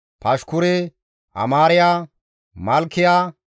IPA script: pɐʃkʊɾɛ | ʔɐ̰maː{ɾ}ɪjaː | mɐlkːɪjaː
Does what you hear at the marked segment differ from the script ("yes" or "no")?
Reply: no